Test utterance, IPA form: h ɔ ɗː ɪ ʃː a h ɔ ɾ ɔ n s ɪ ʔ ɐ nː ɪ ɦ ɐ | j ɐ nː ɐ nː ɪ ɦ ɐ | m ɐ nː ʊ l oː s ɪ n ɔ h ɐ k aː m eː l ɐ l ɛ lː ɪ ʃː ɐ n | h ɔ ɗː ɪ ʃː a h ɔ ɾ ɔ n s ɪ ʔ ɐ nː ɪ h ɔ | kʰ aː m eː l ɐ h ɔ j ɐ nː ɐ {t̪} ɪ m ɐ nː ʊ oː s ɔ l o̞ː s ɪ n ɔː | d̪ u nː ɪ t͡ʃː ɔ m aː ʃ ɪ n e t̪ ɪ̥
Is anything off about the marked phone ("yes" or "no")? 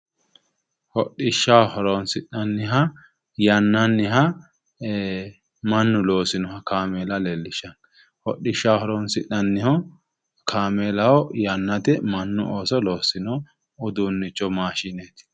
no